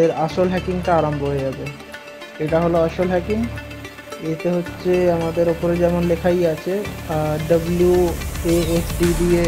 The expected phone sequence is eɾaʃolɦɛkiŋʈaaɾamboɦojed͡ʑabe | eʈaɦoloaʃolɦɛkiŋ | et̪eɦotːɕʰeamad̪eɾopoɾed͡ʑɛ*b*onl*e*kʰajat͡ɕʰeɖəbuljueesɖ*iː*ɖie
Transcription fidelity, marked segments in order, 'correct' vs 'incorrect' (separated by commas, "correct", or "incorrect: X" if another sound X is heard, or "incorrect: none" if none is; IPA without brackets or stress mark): incorrect: m, correct, incorrect: i